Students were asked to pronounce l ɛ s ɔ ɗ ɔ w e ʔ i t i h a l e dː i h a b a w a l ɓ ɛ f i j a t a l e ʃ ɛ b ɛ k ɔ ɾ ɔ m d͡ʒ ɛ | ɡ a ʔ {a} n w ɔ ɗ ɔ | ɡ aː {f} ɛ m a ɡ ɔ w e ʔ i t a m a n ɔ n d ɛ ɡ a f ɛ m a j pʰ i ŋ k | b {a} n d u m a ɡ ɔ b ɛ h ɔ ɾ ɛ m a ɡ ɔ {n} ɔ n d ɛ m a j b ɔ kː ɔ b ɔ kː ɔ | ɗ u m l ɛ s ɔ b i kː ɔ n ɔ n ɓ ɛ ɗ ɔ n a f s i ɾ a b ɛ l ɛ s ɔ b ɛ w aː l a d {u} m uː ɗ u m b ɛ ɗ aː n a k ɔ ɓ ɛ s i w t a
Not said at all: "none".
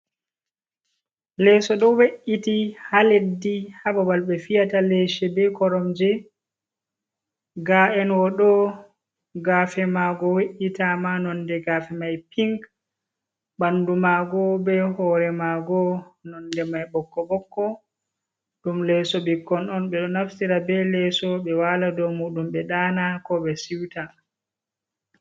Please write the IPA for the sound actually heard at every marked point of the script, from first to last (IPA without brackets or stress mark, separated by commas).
ɛ, f, a, n, ɔ